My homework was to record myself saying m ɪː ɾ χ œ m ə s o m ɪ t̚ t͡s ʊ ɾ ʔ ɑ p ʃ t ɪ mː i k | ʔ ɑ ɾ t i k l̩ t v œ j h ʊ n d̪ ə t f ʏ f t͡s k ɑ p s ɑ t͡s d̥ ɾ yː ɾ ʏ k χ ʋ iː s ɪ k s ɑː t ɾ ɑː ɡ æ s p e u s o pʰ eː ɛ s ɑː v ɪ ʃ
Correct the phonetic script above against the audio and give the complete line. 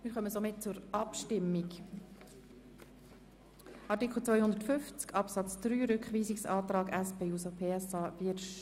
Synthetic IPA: m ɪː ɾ χ œ m ə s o m ɪ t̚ t͡s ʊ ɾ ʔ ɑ p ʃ t ɪ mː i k | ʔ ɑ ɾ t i k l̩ t͡s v œ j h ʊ n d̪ ə t f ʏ f t͡s k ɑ p s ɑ t͡s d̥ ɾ yː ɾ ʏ k χ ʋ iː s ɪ k s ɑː t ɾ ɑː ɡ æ s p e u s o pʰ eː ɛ s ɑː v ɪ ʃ